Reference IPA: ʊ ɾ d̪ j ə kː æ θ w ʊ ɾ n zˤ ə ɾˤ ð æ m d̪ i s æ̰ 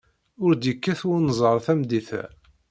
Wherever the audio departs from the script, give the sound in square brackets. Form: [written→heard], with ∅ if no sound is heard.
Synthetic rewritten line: ʊ ɾ d̪ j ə kː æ θ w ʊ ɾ n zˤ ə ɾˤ [ð→θ] æ m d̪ i [s→θ] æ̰